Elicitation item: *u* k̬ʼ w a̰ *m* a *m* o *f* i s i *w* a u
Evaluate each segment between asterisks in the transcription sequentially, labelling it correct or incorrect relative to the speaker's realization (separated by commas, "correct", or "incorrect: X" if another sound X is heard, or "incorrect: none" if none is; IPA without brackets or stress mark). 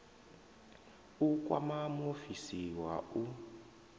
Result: correct, correct, correct, correct, correct